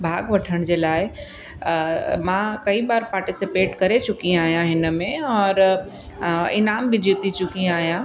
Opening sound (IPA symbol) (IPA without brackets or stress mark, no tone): bʱ